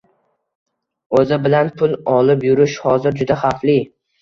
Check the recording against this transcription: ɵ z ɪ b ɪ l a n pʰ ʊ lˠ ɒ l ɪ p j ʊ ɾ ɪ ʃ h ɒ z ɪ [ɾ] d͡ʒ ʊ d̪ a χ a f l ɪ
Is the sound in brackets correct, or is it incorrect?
correct